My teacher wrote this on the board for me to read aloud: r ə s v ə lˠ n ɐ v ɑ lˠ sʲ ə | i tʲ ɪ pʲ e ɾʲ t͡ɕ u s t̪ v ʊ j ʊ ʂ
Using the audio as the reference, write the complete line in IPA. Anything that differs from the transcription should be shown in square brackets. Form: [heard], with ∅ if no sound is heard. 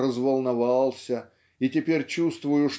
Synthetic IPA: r ə [z] v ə lˠ n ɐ v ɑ lˠ sʲ ə | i tʲ ɪ pʲ e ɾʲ t͡ɕ u s t̪ v ʊ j ʊ ʂ